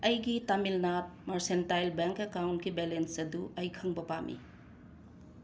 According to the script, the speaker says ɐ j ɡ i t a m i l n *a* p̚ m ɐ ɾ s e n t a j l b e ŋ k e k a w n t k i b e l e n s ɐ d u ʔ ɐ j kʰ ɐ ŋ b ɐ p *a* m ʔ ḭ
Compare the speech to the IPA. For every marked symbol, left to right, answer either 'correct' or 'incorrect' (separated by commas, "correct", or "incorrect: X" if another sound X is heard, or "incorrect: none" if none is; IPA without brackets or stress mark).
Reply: correct, correct